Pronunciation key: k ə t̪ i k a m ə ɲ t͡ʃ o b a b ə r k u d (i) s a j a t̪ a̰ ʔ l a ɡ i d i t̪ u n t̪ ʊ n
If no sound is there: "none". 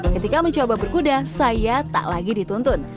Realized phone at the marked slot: a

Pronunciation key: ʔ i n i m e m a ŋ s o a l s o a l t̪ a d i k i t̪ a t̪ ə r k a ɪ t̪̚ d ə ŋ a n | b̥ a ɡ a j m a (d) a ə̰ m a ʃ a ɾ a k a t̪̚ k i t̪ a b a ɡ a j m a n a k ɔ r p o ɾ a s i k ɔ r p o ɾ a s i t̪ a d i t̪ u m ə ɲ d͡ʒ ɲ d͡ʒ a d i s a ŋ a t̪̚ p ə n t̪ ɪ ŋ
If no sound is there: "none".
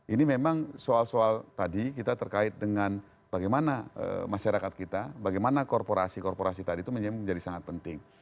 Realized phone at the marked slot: n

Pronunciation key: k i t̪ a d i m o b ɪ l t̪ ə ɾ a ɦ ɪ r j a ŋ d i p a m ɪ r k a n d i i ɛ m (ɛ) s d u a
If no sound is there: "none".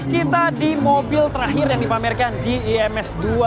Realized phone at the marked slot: ɛ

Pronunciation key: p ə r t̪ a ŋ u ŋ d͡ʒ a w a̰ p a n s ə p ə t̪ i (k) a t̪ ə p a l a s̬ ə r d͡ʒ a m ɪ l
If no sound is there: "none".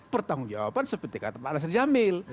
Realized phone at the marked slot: k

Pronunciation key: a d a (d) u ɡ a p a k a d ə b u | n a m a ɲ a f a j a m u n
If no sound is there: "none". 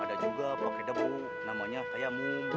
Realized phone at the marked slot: d͡ʒ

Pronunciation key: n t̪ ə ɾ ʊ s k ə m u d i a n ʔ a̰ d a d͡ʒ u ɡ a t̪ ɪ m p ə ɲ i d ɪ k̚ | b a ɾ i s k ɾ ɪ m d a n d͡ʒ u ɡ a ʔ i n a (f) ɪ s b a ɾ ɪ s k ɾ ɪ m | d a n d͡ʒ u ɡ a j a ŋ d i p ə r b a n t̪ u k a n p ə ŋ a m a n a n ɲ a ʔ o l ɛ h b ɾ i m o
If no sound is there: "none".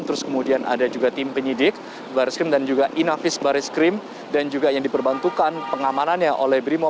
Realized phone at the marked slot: f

